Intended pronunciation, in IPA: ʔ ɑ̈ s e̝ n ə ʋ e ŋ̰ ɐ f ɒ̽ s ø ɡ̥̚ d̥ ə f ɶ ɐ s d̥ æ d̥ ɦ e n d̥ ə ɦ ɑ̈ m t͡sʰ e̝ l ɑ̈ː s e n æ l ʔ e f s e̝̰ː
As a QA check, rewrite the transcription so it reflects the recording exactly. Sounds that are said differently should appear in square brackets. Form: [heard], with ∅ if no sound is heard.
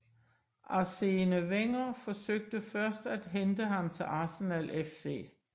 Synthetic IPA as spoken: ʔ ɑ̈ s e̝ n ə ʋ e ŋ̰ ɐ f ɒ̽ s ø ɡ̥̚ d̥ ə f ɶ ɐ s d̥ æ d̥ ɦ e n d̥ ə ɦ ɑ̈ m t͡sʰ e̝ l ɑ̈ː s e n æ l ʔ e f s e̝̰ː